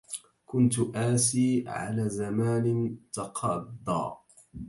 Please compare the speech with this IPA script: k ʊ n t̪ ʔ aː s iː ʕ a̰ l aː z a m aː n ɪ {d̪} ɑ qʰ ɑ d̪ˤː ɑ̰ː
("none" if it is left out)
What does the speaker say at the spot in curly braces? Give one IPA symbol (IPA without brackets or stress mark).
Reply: t̪